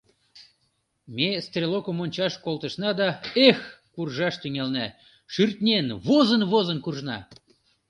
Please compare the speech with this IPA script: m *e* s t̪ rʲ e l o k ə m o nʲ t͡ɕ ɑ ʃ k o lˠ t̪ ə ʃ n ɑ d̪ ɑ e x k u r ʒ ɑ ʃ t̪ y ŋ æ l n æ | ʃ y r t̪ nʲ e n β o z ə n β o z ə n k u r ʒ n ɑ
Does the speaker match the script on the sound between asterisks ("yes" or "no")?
yes